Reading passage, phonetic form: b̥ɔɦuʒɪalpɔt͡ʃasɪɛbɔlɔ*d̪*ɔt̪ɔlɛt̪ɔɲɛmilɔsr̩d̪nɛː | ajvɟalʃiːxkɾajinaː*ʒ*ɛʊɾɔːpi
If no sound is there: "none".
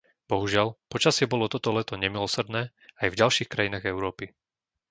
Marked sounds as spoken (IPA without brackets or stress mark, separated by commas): t̪, ɣ